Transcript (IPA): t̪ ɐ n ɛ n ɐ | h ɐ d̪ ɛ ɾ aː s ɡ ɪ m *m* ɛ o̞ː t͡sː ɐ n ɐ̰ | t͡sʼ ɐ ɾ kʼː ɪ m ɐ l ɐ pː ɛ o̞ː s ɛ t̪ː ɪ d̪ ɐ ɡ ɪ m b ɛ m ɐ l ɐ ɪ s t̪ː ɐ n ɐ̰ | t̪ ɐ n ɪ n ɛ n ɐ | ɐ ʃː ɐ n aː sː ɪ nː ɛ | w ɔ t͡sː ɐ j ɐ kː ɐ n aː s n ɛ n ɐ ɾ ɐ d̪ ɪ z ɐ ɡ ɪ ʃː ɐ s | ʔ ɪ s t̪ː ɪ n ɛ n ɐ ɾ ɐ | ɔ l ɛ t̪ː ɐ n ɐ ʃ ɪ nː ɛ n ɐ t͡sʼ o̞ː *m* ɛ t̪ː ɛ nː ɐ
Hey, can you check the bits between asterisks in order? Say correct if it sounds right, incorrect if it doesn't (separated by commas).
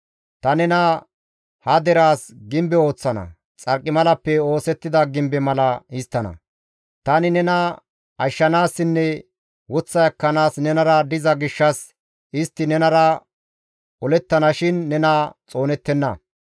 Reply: incorrect, incorrect